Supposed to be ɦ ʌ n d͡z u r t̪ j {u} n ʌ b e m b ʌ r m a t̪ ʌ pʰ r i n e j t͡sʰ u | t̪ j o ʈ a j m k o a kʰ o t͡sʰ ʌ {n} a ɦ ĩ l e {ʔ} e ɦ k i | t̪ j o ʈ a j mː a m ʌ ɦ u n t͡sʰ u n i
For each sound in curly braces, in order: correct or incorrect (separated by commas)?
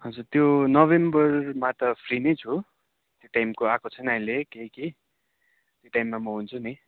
incorrect, correct, incorrect